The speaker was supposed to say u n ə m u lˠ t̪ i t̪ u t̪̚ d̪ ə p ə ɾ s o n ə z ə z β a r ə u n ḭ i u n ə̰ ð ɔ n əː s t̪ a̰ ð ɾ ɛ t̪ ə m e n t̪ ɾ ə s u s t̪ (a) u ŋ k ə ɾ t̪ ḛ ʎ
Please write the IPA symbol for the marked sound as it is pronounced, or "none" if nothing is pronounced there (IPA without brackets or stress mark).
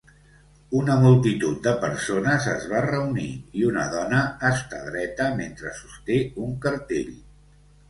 e